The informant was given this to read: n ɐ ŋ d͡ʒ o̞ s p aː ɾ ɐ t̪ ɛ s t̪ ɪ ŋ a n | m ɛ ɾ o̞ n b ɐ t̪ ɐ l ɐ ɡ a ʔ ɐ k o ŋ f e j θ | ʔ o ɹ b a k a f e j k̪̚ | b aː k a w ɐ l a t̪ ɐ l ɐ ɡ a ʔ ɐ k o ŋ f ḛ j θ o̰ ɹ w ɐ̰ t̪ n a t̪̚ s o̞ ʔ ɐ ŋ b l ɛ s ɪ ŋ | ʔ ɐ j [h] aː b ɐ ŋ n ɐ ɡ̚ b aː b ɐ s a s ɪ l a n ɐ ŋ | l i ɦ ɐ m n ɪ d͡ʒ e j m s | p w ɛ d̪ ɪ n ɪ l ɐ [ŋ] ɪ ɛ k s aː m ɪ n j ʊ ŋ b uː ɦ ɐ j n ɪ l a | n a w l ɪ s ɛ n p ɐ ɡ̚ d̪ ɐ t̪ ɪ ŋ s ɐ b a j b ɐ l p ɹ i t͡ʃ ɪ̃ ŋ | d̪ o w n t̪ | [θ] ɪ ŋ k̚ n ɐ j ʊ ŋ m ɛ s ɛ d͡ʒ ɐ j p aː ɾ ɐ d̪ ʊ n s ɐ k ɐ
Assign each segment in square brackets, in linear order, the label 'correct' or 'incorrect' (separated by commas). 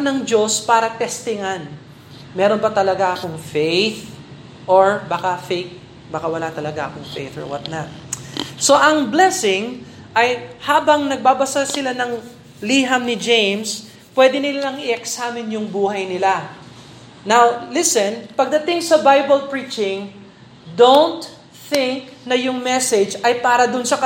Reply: correct, correct, correct